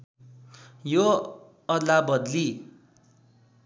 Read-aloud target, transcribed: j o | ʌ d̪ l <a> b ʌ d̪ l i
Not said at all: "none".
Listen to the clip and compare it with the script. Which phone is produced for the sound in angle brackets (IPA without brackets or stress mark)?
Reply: a